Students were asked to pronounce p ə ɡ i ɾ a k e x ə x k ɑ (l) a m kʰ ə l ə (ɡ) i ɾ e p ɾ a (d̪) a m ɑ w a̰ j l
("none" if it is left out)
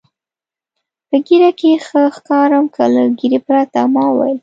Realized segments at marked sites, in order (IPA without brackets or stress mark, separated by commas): ɾ, ɡ, t̪